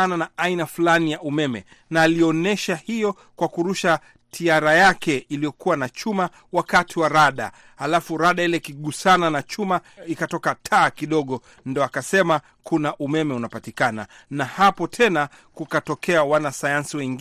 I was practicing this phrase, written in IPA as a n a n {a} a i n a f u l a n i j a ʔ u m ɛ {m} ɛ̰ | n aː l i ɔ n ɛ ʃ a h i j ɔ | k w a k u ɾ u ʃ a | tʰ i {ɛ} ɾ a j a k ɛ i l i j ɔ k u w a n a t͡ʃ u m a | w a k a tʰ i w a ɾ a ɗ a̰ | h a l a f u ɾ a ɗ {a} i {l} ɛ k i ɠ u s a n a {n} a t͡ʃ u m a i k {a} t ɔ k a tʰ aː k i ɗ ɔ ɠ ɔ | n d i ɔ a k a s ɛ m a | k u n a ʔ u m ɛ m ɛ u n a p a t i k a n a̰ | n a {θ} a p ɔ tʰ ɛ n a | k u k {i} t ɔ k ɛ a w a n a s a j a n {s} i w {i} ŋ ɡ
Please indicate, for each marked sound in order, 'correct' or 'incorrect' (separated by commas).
correct, correct, incorrect, correct, correct, correct, correct, incorrect, incorrect, correct, incorrect